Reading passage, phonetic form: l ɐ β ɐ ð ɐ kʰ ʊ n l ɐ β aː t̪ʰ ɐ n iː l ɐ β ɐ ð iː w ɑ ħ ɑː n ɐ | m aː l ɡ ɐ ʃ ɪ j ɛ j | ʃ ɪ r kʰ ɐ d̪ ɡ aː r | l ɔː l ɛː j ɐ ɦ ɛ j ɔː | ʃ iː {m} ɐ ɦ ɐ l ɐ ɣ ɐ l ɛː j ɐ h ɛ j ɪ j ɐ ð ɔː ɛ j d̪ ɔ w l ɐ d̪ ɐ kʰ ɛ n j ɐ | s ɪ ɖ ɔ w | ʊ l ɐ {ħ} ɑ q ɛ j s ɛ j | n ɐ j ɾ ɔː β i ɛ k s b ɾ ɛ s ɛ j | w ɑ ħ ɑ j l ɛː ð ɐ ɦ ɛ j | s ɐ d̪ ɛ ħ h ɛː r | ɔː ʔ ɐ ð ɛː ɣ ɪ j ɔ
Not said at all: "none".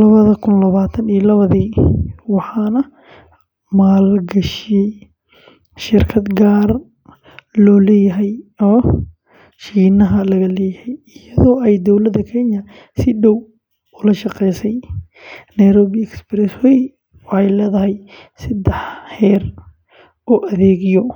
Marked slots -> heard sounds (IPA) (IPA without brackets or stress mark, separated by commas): n, ʃ